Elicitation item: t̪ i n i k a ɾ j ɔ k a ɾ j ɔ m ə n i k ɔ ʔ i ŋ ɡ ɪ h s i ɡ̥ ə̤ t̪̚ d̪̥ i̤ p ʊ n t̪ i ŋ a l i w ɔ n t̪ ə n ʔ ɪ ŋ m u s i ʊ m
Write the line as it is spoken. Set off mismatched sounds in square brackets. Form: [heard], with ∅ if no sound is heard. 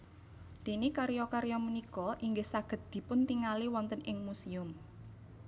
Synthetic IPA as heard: t̪ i n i k a ɾ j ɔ k a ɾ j ɔ m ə n i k ɔ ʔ i ŋ ɡ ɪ h s [a] ɡ̥ ə̤ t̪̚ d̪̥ i̤ p ʊ n t̪ i ŋ a l i w ɔ n t̪ ə n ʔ ɪ ŋ m u s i ʊ m